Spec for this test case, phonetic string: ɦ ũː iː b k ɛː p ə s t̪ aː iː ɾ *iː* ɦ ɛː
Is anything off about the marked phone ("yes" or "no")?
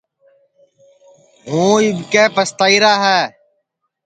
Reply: yes